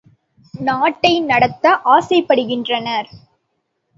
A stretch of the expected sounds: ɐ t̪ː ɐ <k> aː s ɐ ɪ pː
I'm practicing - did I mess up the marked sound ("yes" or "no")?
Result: yes